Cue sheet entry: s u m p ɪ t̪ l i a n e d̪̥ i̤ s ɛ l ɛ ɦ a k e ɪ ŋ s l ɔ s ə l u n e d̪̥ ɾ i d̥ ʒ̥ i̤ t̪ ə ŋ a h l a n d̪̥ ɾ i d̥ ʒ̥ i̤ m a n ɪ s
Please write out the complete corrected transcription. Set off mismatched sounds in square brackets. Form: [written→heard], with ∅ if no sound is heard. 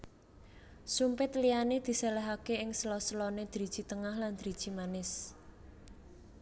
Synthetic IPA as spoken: s u m p ɪ t̪ l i a n e d̪̥ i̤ s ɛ l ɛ ɦ a k e ɪ ŋ s l ɔ s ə l [u→ɔ] n e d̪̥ ɾ i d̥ ʒ̥ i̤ t̪ ə ŋ a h l a n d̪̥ ɾ i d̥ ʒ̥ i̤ m a n ɪ s